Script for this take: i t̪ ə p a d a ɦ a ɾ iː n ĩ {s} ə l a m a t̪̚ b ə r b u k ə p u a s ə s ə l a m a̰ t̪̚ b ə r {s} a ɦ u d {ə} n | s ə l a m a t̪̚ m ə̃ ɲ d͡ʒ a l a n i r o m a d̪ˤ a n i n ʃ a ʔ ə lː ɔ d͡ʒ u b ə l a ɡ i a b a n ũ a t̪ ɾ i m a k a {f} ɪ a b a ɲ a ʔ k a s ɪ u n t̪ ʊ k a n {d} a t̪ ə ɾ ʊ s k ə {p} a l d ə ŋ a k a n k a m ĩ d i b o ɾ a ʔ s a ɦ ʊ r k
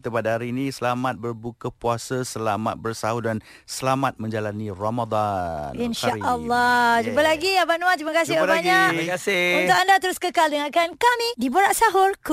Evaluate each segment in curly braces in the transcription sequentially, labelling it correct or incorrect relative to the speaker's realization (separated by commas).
correct, correct, incorrect, incorrect, correct, incorrect